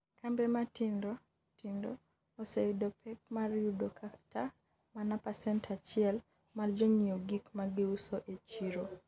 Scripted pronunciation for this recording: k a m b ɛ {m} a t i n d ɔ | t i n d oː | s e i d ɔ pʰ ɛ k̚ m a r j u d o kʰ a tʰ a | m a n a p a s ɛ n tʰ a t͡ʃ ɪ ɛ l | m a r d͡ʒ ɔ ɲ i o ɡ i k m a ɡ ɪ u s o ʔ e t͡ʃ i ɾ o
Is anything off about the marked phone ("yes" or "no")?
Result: no